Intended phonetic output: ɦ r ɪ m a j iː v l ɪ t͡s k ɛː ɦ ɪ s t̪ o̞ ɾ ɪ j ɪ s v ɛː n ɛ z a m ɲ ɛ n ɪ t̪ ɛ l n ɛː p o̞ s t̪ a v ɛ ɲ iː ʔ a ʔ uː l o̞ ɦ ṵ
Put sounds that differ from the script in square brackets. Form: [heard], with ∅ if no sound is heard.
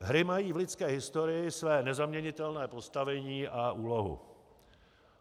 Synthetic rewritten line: ɦ [ɾ] ɪ m a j iː v l ɪ t͡s k ɛː ɦ ɪ s t̪ o̞ ɾ ɪ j ɪ s v ɛː n ɛ z a m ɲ ɛ [ɲ] ɪ t̪ ɛ l n ɛː p o̞ s t̪ a v ɛ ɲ iː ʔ a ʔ uː l o̞ ɦ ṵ